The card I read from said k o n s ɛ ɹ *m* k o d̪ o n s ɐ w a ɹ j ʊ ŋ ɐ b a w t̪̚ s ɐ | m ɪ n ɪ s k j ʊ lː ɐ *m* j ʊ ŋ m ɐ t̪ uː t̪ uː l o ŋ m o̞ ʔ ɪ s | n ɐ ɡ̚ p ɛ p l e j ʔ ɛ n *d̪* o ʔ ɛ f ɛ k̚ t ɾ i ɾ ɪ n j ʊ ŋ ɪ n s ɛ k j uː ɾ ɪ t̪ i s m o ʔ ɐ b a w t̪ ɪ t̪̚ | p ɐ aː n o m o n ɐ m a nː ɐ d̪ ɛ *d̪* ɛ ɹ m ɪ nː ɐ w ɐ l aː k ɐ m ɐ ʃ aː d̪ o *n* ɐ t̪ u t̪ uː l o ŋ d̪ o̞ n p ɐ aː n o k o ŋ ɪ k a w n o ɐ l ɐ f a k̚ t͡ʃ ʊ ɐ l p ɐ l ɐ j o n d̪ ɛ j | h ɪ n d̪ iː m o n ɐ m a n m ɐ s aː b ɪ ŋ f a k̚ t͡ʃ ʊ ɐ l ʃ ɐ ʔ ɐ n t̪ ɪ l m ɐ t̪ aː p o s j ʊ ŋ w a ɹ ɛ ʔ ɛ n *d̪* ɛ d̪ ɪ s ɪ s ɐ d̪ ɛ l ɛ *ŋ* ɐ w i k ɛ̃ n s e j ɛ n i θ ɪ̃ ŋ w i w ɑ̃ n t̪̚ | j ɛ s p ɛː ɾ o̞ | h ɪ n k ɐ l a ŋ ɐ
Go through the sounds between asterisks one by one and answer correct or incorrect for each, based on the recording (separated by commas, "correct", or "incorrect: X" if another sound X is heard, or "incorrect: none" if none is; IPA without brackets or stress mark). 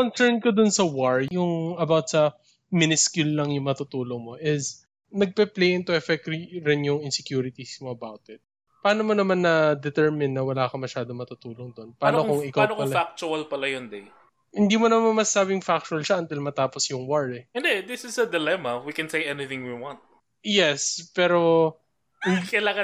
incorrect: n, incorrect: ŋ, incorrect: t̪, incorrect: t̪, incorrect: m, correct, incorrect: m